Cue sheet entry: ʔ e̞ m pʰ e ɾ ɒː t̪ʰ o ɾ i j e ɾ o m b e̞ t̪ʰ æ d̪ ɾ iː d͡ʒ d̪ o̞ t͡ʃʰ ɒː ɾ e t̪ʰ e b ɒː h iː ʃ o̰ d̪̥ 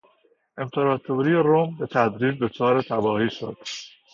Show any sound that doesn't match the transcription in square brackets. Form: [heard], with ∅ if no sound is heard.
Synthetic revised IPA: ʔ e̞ m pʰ e ɾ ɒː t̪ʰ o ɾ i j e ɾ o m b e̞ t̪ʰ æ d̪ ɾ iː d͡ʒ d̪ o̞ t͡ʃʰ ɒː ɾ e t̪ʰ [æ] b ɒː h iː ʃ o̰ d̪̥